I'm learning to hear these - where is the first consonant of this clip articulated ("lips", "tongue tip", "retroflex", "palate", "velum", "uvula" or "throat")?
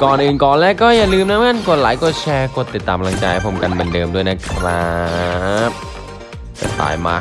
velum